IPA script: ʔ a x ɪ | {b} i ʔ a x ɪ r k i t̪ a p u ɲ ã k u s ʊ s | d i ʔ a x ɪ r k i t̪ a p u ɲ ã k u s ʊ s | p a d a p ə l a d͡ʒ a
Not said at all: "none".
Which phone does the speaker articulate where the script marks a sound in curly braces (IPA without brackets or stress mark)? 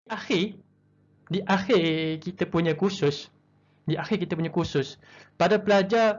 d